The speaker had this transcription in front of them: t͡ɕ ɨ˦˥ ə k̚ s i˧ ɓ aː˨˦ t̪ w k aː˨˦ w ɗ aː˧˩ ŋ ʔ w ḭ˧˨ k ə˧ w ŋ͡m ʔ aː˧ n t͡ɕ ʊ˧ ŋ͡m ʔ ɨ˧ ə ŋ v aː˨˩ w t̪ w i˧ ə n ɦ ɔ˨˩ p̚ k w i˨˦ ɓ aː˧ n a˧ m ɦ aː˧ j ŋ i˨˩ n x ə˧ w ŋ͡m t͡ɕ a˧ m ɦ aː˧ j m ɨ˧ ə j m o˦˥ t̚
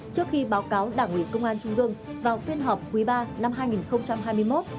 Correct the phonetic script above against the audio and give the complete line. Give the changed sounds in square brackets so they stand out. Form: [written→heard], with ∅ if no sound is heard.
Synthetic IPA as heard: t͡ɕ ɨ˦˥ ə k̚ [s→x] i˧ ɓ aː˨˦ [t̪→∅] w k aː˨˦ w ɗ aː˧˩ ŋ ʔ w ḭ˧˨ k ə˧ w ŋ͡m ʔ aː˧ n t͡ɕ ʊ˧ ŋ͡m ʔ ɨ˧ ə ŋ v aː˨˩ w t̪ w i˧ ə n ɦ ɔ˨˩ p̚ k w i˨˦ ɓ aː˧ n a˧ m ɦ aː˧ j ŋ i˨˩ n x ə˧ w ŋ͡m t͡ɕ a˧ m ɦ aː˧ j m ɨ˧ ə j m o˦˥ t̚

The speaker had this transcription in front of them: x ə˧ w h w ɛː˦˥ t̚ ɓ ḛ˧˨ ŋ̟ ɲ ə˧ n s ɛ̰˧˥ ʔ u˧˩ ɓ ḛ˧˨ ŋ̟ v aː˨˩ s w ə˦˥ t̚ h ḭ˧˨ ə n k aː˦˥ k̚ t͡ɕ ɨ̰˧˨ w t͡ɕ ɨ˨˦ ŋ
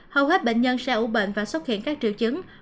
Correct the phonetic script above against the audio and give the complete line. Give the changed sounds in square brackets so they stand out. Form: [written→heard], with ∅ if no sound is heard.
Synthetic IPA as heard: [x→h] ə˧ w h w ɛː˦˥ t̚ ɓ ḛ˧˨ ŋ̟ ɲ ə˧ n s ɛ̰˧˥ ʔ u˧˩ ɓ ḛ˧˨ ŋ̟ v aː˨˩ s w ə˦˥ t̚ h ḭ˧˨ ə n k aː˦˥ k̚ t͡ɕ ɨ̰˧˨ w t͡ɕ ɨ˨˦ ŋ

